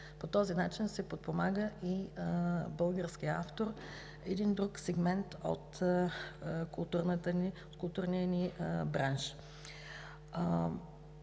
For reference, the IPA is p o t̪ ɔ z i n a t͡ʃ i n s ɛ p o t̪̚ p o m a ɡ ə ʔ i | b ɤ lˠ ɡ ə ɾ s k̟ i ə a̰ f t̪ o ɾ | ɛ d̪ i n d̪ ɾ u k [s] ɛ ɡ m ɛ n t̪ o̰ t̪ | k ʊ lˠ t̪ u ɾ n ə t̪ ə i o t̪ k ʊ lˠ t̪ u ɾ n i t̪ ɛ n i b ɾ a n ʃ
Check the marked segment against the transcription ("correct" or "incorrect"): correct